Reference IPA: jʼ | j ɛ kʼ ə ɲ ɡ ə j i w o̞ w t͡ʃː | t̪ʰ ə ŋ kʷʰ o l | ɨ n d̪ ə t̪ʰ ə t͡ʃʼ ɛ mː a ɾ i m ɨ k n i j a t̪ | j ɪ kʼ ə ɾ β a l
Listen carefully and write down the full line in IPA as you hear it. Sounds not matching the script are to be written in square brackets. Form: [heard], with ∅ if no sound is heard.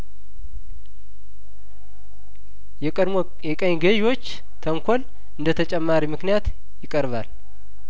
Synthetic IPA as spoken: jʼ | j ɛ kʼ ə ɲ ɡ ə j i w o̞ [∅] t͡ʃː | t̪ʰ ə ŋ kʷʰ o l | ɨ n d̪ ə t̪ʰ ə t͡ʃʼ ɛ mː a ɾ i m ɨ k n i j a t̪ | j ɪ kʼ ə ɾ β a l